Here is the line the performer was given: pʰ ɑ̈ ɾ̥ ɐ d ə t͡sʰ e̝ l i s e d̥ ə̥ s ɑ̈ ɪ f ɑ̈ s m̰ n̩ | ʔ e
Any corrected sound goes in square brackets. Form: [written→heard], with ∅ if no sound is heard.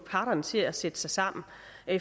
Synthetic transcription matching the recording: pʰ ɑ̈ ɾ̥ ɐ [d→n] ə t͡sʰ e̝ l [i→æ] s e d̥ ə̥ s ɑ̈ ɪ [f→s] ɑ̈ [s→∅] m̰ n̩ | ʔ e